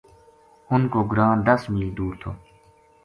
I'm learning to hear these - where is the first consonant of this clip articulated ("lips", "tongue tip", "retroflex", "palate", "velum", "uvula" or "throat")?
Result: tongue tip